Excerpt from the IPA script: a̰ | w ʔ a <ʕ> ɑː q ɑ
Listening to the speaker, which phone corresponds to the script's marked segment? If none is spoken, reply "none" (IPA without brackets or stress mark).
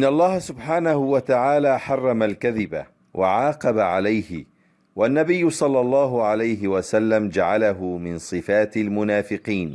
ʕ